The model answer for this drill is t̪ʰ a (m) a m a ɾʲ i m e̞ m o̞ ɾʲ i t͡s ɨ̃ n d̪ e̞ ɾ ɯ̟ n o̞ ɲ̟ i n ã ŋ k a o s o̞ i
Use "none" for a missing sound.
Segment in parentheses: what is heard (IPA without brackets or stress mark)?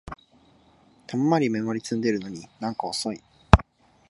m